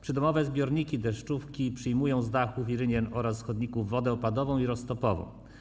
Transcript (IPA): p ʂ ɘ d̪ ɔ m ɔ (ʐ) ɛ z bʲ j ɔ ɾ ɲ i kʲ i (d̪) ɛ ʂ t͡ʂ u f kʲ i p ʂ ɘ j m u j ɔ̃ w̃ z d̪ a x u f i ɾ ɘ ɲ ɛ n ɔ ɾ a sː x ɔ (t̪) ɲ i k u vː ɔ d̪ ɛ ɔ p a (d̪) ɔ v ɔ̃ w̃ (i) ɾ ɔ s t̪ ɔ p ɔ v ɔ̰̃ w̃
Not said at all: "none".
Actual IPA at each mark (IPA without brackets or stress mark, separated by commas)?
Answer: v, d̪, d̪, d̪, i